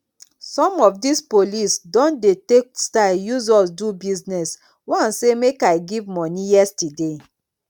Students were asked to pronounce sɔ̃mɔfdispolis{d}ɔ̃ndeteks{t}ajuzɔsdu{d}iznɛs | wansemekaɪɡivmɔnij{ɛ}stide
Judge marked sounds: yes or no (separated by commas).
yes, yes, no, yes